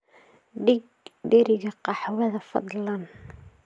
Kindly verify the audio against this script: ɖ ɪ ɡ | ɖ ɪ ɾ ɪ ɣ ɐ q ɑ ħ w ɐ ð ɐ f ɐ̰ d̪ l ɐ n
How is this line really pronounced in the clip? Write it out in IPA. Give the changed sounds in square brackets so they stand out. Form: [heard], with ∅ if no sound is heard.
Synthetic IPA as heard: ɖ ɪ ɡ | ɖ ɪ ɾ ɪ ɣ ɐ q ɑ ħ w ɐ ð ɐ f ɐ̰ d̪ l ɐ n